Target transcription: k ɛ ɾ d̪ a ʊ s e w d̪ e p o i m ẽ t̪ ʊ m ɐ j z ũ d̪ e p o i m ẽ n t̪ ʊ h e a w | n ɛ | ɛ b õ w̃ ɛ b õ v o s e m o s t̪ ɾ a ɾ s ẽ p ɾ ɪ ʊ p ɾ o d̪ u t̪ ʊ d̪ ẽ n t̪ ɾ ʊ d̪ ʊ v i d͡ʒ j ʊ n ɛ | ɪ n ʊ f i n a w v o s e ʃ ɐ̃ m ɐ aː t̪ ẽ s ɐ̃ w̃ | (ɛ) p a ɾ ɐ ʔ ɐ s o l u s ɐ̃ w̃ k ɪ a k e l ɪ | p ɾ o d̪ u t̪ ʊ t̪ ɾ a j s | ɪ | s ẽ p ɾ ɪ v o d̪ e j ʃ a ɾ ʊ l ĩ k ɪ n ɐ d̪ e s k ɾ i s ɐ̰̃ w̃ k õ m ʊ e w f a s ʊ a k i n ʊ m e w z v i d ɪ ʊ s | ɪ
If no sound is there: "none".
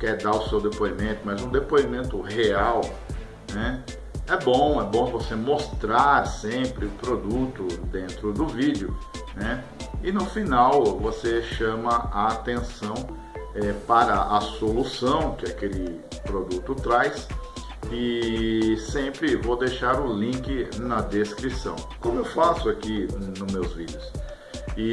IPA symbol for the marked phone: ɛ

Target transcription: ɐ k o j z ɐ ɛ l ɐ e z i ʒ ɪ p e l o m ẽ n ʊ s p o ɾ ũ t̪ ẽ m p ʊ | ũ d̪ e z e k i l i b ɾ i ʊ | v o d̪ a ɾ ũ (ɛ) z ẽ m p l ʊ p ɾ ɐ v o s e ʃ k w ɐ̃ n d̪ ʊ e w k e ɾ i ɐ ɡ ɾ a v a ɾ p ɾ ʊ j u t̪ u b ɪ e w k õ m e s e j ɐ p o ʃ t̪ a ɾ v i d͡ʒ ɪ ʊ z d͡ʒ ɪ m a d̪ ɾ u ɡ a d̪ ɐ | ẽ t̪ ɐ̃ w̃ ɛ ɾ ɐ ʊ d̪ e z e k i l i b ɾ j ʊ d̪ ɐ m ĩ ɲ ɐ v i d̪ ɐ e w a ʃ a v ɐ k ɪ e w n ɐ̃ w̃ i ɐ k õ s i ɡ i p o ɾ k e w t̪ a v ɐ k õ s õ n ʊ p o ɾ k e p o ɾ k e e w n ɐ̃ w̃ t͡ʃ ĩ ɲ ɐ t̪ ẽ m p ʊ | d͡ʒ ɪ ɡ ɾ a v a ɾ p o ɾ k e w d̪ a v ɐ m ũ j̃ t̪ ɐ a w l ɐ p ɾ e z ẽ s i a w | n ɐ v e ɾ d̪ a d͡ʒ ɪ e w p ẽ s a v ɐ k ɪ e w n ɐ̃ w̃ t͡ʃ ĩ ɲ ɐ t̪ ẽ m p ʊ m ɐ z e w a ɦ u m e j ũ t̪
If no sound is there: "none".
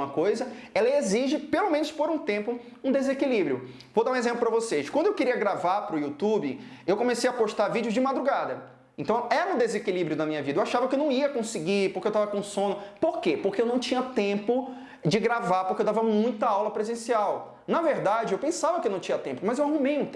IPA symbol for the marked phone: e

